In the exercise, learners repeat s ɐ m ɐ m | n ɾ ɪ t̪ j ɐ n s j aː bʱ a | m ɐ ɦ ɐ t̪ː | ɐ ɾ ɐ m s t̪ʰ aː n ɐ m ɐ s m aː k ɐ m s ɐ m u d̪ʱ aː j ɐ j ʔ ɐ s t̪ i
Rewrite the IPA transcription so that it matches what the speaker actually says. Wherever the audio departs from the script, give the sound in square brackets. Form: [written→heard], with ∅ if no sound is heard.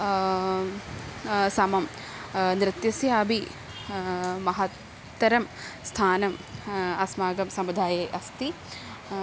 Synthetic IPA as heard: s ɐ m ɐ m | n ɾ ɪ t̪ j ɐ [n→∅] s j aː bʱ [a→i] | m ɐ ɦ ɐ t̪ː | ɐ ɾ ɐ m s t̪ʰ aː n ɐ m ɐ s m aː [k→ɡ] ɐ m s ɐ m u d̪ʱ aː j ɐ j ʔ ɐ s t̪ i